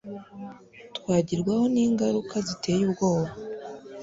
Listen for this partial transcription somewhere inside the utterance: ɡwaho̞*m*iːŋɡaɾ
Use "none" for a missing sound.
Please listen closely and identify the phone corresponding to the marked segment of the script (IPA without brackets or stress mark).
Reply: n